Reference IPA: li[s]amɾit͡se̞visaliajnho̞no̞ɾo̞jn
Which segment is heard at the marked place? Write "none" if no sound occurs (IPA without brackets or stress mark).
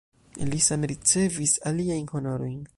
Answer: s